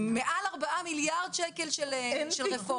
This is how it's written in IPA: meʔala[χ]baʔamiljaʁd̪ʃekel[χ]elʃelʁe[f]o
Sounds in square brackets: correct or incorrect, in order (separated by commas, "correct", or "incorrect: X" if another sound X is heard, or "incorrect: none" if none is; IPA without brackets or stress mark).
incorrect: ʁ, incorrect: ʃ, correct